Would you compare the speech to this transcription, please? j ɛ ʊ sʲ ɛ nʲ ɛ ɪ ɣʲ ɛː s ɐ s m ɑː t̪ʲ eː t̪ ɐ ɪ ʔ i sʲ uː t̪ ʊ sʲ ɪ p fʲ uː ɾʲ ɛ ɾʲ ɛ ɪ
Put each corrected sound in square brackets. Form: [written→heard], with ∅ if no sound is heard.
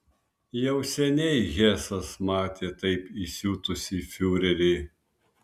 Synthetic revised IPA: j ɛ ʊ sʲ ɛ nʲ ɛ ɪ ɣʲ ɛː s ɐ s m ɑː t̪ʲ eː t̪ ɐ ɪ [ʔ→p] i sʲ uː t̪ ʊ sʲ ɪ [p→∅] fʲ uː ɾʲ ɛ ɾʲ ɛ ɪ